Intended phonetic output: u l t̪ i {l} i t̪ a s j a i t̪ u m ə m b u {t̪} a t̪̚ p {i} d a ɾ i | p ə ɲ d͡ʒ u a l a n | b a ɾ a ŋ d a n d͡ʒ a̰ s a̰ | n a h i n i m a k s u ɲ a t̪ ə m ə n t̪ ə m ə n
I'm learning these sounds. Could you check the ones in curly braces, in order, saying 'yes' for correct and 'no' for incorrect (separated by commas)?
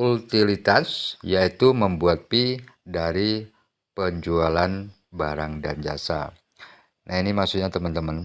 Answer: yes, no, yes